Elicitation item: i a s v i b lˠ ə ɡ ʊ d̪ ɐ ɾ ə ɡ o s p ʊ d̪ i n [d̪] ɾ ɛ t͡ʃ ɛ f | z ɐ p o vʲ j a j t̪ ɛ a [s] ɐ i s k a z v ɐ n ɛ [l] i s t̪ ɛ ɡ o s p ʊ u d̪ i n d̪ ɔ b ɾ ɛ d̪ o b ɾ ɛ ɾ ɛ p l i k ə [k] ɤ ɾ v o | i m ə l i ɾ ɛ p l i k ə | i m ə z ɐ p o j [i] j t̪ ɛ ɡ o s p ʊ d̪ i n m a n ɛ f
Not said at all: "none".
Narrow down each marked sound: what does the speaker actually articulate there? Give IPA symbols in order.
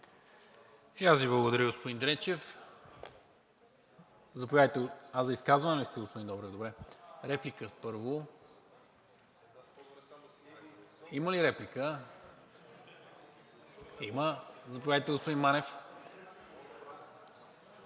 d̪, z, l, p, a

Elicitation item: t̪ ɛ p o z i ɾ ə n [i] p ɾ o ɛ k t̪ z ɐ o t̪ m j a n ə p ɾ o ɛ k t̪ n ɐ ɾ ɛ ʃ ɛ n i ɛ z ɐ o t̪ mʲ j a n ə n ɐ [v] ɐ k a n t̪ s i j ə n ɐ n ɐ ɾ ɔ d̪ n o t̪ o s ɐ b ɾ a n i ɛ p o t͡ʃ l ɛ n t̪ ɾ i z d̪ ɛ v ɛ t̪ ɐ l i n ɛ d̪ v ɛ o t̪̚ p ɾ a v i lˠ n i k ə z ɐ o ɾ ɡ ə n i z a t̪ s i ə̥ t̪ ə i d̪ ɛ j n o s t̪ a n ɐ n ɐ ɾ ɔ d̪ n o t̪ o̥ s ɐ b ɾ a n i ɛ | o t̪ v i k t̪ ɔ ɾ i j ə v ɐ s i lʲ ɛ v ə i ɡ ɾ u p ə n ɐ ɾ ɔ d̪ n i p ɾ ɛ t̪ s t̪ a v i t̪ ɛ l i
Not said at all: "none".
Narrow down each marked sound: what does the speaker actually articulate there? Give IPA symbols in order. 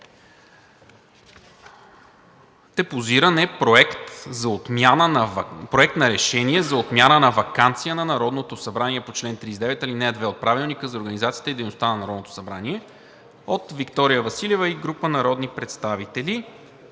ɛ, v

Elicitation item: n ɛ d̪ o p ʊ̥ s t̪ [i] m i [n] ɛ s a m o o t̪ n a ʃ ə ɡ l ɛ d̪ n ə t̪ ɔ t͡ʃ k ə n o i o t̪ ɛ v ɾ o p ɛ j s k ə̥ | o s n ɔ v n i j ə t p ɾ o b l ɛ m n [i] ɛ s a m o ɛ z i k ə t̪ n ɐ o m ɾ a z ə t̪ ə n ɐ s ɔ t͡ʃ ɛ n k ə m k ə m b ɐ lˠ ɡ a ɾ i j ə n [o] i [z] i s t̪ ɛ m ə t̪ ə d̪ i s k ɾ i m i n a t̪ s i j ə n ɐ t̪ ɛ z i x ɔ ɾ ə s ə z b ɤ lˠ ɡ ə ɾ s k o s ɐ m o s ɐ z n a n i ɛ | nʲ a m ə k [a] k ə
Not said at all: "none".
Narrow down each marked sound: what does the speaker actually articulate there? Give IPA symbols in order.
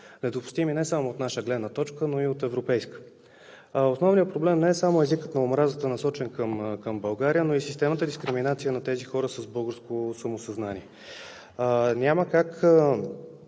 i, n, ɛ, o, s, a

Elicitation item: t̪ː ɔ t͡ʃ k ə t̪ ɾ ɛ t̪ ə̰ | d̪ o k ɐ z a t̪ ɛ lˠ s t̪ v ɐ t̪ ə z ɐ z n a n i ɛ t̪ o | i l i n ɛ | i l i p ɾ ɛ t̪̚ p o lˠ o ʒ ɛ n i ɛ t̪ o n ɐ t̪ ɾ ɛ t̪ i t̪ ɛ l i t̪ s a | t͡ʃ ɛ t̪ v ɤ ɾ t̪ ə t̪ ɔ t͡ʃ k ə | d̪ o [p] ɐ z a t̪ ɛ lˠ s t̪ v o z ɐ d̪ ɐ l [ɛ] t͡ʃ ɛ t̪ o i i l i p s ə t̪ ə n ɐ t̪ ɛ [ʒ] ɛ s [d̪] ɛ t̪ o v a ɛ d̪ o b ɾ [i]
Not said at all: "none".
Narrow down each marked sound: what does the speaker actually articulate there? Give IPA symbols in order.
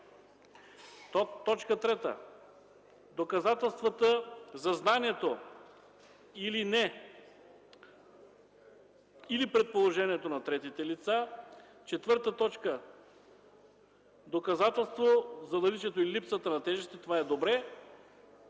k, i, ʒ, t̪, ɛ

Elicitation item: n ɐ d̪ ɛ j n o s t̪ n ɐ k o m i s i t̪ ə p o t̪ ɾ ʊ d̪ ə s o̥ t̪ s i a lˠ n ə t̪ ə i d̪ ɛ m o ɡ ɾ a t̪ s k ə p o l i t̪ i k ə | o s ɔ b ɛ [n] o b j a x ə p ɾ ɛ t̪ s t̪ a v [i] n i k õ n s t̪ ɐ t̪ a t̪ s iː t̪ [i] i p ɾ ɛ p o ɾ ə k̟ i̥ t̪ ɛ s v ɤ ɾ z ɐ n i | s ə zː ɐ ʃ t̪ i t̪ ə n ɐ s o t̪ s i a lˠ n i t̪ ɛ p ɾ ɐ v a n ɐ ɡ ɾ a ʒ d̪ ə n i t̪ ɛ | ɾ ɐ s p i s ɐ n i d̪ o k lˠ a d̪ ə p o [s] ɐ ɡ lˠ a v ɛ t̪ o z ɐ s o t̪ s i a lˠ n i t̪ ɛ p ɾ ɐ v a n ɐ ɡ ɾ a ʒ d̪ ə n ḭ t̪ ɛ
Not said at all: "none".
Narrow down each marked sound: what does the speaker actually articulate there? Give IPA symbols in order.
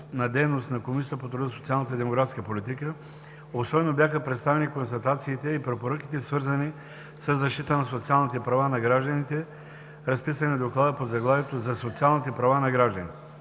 n, ɛ, ɛ, z

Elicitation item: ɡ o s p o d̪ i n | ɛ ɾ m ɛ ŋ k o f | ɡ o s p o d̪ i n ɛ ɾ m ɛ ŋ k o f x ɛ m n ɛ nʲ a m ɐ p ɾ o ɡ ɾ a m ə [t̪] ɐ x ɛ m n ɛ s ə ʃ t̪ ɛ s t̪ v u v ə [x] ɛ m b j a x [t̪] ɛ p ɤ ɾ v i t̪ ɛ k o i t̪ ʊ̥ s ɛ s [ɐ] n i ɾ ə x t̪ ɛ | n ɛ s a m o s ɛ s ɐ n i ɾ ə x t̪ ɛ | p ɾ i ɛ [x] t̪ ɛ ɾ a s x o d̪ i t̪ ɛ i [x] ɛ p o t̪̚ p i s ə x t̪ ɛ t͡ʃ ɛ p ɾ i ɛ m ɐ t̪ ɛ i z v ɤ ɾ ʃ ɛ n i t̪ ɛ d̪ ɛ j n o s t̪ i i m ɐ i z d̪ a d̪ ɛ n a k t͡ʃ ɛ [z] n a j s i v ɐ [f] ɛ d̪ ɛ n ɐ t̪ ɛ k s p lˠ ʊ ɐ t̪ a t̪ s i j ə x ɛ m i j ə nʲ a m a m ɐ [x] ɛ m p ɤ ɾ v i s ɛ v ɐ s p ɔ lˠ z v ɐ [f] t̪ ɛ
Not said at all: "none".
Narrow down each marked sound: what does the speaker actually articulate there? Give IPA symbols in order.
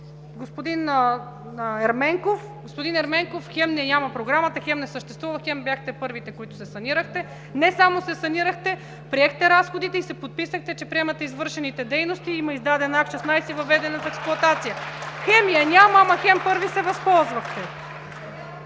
t̪, x, t̪, ɐ, x, s, s, v, x, x

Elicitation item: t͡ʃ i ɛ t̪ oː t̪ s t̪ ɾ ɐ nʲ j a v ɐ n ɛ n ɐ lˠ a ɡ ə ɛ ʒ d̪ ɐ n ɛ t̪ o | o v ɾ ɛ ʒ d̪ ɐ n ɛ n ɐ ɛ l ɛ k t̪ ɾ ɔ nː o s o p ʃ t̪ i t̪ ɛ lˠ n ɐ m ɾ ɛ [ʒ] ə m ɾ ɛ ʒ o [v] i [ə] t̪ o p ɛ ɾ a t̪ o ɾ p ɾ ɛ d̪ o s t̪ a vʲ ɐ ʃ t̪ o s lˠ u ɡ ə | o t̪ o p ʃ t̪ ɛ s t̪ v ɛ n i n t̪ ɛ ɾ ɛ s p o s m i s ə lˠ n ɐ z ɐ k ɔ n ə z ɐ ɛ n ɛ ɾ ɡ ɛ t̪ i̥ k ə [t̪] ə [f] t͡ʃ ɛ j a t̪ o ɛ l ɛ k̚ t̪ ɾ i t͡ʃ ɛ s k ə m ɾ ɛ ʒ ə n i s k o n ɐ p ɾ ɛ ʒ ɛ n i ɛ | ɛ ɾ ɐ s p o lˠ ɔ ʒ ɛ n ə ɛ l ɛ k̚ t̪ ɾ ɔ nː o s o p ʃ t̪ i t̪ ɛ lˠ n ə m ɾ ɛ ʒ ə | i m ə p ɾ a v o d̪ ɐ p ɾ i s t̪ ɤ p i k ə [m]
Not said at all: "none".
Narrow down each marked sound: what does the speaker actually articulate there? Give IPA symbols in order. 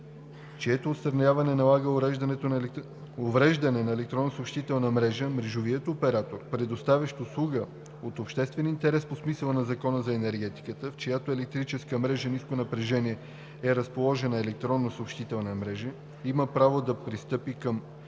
ʒ, v, ə, t̪, f, m

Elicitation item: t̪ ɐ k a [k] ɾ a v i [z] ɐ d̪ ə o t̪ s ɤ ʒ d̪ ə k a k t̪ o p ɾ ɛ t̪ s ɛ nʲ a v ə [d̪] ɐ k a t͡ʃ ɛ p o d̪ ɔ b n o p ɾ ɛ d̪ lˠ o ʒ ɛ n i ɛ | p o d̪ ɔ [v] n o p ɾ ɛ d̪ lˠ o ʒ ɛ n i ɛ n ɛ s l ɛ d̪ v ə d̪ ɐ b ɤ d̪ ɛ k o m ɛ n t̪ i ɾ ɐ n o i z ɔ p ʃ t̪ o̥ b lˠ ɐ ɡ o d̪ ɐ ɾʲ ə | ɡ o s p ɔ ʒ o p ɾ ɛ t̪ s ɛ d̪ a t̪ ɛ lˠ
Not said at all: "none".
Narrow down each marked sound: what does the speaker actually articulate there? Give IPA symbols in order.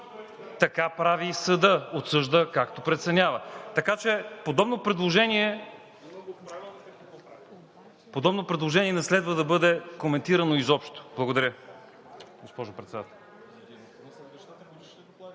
p, s, t̪, b

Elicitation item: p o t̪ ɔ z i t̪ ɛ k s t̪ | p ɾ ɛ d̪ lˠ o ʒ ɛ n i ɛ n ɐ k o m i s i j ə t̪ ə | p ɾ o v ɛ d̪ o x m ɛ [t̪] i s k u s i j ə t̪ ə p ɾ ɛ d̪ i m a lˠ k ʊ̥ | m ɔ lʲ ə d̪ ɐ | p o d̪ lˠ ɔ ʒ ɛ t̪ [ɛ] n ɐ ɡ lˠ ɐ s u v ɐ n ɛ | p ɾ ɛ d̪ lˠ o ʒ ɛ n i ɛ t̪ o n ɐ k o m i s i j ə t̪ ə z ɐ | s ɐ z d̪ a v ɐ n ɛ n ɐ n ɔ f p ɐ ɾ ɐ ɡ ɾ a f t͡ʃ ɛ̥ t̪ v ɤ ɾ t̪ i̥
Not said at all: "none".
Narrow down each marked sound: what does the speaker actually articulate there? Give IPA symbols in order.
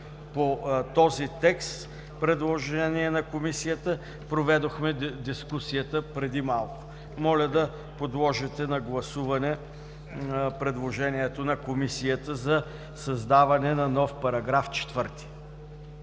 d̪, ɛ

